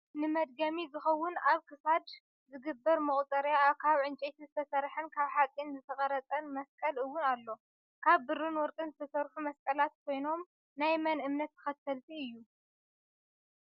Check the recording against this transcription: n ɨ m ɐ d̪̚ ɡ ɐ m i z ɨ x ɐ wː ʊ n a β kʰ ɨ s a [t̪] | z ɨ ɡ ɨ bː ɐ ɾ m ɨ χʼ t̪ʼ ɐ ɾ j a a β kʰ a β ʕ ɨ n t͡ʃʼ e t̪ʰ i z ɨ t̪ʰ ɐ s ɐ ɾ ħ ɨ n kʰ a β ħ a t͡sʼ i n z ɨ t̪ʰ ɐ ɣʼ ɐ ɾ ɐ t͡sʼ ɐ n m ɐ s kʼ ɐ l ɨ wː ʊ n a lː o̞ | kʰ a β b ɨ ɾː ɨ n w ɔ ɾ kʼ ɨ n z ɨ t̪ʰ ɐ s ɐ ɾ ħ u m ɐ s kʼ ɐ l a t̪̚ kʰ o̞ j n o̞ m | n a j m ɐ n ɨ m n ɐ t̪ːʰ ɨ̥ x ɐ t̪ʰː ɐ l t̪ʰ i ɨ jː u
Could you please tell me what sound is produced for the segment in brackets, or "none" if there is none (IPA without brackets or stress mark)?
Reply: d̪